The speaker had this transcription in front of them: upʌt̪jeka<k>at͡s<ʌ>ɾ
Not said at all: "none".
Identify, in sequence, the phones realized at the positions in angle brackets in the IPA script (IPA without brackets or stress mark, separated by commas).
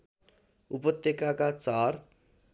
k, a